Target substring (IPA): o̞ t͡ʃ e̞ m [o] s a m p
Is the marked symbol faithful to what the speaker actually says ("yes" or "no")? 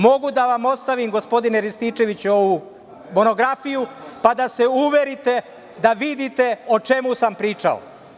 no